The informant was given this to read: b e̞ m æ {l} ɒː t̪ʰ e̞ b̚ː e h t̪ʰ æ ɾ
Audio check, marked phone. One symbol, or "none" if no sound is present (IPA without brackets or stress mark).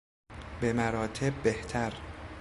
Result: ɾ